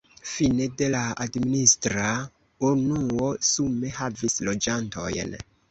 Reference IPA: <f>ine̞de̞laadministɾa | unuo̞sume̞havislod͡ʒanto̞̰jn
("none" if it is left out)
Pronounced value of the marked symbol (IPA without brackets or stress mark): f